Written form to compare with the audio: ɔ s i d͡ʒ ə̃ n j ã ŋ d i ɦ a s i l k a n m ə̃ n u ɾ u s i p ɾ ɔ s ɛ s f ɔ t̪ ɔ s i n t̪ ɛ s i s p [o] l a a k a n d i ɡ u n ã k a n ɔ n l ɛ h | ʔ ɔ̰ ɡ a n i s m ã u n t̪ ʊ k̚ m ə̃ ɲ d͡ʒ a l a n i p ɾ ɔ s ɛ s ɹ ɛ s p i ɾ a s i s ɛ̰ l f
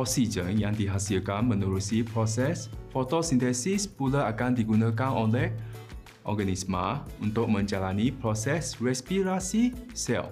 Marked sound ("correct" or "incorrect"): incorrect